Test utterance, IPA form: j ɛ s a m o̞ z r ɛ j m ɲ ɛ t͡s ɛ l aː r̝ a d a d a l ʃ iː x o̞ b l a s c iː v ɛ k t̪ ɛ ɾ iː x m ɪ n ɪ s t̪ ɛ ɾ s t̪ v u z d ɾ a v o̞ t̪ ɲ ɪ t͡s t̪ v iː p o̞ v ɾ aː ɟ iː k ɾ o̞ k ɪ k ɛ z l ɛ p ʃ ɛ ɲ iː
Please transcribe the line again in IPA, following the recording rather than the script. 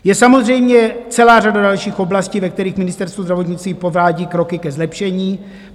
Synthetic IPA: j ɛ s a m o̞ z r ɛ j m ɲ ɛ t͡s ɛ l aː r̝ a d a d a l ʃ iː x o̞ b l a s c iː v ɛ k t̪ ɛ ɾ iː x m ɪ n ɪ s t̪ ɛ ɾ s t̪ v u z d ɾ a v o̞ t̪ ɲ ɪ t͡s t̪ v iː p o̞ v ɾ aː ɟ iː k ɾ o̞ k ɪ k ɛ z l ɛ p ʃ ɛ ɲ iː